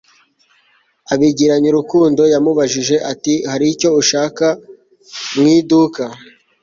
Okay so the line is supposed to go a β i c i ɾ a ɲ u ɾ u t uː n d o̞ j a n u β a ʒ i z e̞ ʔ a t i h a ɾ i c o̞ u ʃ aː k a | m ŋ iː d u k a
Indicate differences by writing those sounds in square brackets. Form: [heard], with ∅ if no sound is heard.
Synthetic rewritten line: a β i [ɟ] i ɾ a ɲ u ɾ u [k] uː n d o̞ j a [m] u β a ʒ i [ʒ] e̞ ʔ a t i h a ɾ i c o̞ u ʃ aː k a | m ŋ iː d u k a